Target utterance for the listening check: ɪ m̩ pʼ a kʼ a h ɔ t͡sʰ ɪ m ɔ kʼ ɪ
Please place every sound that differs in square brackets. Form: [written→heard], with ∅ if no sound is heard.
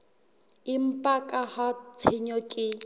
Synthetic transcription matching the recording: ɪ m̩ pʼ a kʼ a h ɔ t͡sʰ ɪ [m→ɲ] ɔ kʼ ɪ